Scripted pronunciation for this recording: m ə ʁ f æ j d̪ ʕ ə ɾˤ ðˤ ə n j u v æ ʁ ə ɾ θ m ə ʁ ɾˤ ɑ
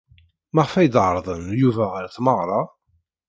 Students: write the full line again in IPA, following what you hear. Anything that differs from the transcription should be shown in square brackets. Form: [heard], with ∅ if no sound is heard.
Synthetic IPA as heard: m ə ʁ f æ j d̪ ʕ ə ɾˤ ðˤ ə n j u v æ ʁ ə ɾ θ m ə ʁ ɾˤ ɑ